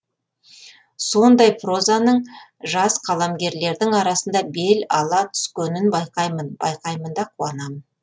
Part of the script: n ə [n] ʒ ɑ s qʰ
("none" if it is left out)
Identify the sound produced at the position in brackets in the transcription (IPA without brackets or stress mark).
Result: ɴ